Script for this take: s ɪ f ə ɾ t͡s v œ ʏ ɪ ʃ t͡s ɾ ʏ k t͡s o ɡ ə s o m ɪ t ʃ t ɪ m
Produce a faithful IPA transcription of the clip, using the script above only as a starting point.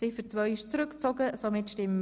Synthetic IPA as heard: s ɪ f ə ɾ t͡s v œ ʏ ɪ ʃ t͡s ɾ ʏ k t͡s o ɡ ə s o m ɪ t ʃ t ɪ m

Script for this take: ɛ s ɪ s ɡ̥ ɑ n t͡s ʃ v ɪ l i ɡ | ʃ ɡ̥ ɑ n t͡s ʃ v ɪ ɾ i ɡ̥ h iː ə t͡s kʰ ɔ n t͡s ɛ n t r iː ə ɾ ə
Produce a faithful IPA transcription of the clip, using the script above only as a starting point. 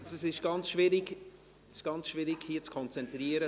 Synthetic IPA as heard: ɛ s ɪ ʃ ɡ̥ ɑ n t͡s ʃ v ɪ ɾ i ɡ | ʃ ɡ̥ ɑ n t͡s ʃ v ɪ ɾ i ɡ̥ h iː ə t͡s kʰ ɔ n t͡s ɛ n t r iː ə ɾ ə

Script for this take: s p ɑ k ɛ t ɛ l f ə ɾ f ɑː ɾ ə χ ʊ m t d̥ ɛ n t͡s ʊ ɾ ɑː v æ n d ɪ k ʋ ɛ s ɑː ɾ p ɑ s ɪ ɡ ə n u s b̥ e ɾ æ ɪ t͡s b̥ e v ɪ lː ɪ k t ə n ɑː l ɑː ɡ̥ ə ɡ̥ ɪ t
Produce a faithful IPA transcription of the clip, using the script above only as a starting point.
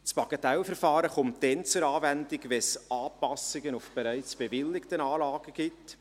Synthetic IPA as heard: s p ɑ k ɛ t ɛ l f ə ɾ f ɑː ɾ ə χ ʊ m t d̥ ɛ n t͡s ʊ ɾ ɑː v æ n d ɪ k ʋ ɛ s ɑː p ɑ s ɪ ɡ ə n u f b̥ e ɾ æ ɪ t͡s b̥ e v ɪ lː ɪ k t ə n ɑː l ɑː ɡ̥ ə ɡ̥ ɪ t

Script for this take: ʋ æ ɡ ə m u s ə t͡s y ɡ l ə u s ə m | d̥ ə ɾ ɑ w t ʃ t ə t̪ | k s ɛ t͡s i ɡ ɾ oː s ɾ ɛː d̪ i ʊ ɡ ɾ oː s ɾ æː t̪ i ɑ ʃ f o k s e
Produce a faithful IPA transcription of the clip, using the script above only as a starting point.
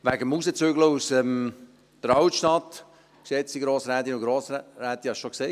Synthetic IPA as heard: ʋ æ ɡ ə m u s ə t͡s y ɡ l ə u s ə m | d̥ ə ɾ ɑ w t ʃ t ɑ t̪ | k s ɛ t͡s i ɡ ɾ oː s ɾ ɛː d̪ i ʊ ɡ ɾ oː s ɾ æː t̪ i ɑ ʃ ʃ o k s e

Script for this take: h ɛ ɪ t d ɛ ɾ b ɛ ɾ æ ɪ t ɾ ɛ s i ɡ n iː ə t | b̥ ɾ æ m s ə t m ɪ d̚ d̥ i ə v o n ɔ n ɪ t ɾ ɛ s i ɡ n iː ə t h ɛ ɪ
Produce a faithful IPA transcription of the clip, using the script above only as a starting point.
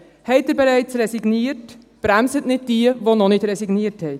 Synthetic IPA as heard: h ɛ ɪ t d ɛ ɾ b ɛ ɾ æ ɪ t͡s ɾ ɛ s i ɡ n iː ə t | b̥ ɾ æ m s ə t n ɪ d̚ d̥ i ə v o n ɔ n ɪ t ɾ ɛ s i ɡ n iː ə t h ɛ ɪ

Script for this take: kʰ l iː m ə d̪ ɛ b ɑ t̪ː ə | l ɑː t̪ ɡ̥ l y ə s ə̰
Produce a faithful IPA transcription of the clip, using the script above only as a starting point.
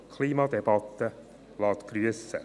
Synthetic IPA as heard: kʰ l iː m ɑ d̪ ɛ b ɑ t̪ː ə | l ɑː t̪ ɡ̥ ɾ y ə s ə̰

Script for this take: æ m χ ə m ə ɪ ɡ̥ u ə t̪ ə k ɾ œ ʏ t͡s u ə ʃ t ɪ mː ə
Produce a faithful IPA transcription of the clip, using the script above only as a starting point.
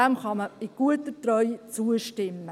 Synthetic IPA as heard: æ m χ ɑ m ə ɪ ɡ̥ u ə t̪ ə t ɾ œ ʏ t͡s u ə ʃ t ɪ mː ə

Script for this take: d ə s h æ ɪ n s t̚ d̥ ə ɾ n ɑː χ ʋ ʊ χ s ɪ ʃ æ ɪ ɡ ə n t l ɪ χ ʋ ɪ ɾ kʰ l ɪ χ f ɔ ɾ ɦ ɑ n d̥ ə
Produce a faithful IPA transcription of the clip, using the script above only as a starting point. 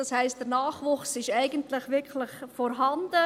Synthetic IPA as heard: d ɑ s h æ ɪ s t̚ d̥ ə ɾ n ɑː χ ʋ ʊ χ s ɪ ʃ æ ɪ ɡ ə n t l ɪ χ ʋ ɪ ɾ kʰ l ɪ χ f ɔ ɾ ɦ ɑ n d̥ ə

